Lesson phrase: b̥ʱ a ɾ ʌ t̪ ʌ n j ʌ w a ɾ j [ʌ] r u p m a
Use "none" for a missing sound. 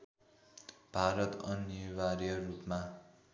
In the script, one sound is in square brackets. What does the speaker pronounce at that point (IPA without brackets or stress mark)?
ʌ